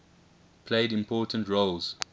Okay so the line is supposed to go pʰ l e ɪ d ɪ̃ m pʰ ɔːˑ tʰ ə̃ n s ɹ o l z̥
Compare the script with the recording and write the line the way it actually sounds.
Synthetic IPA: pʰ l e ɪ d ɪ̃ m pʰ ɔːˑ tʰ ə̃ n t ɹ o l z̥